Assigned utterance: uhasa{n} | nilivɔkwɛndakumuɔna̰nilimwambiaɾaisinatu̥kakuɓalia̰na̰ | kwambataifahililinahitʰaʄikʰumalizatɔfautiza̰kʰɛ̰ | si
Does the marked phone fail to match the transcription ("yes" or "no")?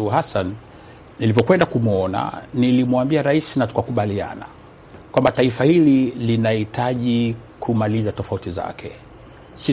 no